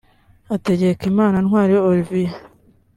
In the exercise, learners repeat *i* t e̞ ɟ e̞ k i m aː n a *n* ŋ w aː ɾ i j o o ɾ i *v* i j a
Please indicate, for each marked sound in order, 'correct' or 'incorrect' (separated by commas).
incorrect, correct, correct